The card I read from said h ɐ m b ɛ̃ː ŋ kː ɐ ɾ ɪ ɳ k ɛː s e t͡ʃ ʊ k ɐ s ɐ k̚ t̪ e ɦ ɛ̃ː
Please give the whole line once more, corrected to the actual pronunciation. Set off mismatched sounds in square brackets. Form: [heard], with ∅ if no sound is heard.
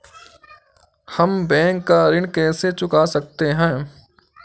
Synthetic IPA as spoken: h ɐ m b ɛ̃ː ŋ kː [a] ɾ ɪ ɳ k ɛː s e t͡ʃ ʊ k [a] s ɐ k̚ t̪ e ɦ ɛ̃ː